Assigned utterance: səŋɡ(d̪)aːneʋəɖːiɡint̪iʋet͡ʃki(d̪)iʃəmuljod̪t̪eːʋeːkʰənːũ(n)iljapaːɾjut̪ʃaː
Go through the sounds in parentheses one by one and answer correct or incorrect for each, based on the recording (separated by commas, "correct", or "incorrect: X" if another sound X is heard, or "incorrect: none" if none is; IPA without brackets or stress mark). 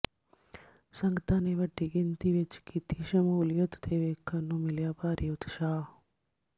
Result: incorrect: t̪, incorrect: t̪, incorrect: m